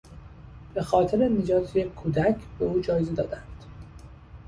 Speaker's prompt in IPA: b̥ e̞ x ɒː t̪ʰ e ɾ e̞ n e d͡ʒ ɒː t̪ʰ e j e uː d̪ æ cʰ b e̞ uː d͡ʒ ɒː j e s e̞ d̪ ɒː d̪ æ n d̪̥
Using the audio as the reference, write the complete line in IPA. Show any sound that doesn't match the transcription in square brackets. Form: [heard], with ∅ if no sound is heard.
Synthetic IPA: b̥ e̞ x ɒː t̪ʰ e ɾ e̞ n e d͡ʒ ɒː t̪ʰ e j e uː d̪ æ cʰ b e̞ uː d͡ʒ ɒː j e [z] e̞ d̪ ɒː d̪ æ n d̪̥